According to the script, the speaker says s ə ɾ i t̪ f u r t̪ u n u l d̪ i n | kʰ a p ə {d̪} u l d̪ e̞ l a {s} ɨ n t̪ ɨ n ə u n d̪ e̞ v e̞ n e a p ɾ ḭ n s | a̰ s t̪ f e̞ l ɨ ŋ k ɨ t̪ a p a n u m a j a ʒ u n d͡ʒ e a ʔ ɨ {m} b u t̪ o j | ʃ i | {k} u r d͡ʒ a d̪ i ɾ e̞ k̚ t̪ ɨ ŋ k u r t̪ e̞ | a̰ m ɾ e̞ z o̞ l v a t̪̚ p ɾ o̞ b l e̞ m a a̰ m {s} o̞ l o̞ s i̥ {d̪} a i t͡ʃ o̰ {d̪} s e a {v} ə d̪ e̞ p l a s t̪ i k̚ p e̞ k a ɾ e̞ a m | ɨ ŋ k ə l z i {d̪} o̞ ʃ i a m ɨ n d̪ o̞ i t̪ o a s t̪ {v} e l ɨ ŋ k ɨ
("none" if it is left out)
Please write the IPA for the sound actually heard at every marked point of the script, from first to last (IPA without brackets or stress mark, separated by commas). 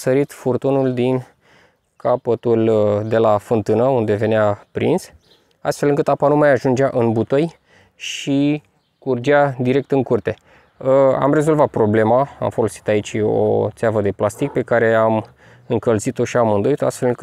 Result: t̪, f, n, k, f, t̪, t̪, v, t̪, f